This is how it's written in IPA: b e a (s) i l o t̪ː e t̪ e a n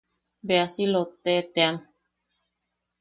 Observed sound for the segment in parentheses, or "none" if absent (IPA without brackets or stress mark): s